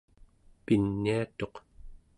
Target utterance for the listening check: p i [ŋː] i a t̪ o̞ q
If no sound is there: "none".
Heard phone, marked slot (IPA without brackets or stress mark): nː